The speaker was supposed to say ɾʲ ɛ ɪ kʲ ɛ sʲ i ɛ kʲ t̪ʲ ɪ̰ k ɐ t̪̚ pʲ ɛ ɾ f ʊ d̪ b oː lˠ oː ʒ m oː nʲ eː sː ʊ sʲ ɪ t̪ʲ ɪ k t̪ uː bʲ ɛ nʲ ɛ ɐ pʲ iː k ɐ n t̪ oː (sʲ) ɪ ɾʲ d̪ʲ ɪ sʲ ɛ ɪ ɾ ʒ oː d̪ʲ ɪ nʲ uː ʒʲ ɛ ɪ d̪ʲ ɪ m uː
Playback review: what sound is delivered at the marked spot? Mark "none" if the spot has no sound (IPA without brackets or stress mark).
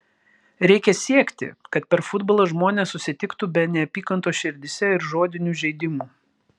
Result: ʃʲ